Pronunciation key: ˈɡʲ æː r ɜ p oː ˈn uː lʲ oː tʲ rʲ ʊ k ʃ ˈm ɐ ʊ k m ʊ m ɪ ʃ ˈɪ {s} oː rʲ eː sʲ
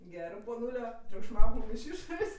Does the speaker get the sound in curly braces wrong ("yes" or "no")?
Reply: yes